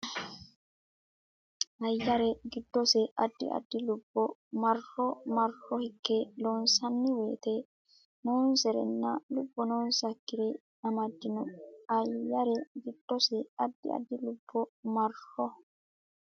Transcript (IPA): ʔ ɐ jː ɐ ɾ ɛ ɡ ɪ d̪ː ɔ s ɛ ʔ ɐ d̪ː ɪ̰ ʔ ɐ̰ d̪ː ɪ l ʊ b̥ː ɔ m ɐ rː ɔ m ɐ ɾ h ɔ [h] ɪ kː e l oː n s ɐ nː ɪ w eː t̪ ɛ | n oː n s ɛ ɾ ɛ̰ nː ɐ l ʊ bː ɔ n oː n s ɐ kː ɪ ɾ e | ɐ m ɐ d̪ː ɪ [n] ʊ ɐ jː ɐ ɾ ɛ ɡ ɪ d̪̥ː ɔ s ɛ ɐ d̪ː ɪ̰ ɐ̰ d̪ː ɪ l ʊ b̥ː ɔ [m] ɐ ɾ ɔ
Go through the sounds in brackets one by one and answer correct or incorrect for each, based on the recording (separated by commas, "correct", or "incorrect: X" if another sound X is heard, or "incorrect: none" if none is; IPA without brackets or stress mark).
correct, correct, correct